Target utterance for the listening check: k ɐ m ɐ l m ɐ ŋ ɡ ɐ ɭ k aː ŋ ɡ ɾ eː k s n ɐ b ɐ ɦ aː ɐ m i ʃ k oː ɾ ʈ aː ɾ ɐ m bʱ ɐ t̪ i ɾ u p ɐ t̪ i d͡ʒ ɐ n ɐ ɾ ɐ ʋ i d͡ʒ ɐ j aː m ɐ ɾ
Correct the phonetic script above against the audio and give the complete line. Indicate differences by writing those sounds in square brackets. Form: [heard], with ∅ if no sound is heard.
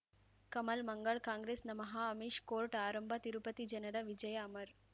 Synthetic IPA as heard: k ɐ m ɐ l m ɐ ŋ ɡ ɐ ɭ k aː ŋ ɡ ɾ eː [∅] s n ɐ [m] ɐ ɦ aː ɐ m i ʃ k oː ɾ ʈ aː ɾ ɐ m bʱ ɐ t̪ i ɾ u p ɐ t̪ i d͡ʒ ɐ n ɐ ɾ ɐ ʋ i d͡ʒ ɐ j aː m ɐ ɾ